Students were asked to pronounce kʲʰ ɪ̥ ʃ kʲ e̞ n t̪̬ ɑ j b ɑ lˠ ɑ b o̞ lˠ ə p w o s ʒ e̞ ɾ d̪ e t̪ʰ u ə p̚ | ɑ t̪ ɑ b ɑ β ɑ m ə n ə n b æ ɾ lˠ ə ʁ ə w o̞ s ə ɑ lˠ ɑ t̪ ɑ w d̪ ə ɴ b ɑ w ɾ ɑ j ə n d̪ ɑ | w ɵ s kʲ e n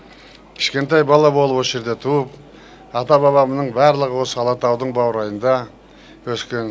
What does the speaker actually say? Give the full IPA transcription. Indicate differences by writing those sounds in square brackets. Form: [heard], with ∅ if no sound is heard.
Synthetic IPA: kʲʰ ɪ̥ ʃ kʲ e̞ n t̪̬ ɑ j b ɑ lˠ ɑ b o̞ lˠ ə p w o s ʒ e̞ ɾ d̪ e t̪ʰ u ə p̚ | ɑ t̪ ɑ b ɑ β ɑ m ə n ə [ɴ] b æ ɾ lˠ ə ʁ ə w o̞ s ə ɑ lˠ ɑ t̪ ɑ w d̪ ə ɴ b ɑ w ɾ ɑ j ə n d̪ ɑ | w ɵ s kʲ e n

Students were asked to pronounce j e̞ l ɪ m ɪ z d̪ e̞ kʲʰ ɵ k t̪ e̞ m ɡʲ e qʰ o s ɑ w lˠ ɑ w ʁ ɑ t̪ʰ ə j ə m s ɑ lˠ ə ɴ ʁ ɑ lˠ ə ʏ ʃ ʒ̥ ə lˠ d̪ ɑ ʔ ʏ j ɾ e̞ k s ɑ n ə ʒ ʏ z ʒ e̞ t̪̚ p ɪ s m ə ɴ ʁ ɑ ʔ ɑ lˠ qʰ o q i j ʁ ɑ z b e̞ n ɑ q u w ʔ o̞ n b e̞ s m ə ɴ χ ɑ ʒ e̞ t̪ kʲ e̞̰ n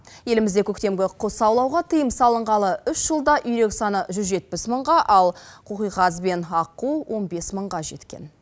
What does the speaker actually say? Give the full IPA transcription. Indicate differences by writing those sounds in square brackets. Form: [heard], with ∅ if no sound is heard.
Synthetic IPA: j e̞ l ɪ m ɪ z d̪ e̞ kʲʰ ɵ k t̪ e̞ m ɡʲ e qʰ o s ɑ w lˠ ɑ w ʁ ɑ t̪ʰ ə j ə m s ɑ lˠ ə ɴ ʁ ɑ lˠ ə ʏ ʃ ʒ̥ ə lˠ d̪ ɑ ʔ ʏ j ɾ e̞ k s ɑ n ə ʒ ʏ z ʒ e̞ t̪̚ p ɪ s m ə ɴ ʁ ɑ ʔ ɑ lˠ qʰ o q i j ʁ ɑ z b e̞ n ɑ q u w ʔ o̞ n b e̞ s m ə ɴ [ʁ] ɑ ʒ e̞ t̪ kʲ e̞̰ n

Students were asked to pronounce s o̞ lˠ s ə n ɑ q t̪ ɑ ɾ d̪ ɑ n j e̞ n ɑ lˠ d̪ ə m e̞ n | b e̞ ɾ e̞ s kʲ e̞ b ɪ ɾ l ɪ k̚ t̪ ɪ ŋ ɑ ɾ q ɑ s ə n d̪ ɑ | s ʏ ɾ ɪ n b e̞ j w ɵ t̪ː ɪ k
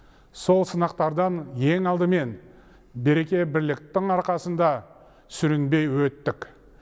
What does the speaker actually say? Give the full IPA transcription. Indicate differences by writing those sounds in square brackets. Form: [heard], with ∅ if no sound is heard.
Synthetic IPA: s o̞ lˠ s ə n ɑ q t̪ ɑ ɾ d̪ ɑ n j e̞ [ŋ] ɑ lˠ d̪ ə m e̞ n | b e̞ ɾ e̞ [∅] kʲ e̞ b ɪ ɾ l ɪ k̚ t̪ ɪ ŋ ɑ ɾ q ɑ s ə n d̪ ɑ | s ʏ ɾ ɪ n b e̞ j w ɵ t̪ː ɪ k

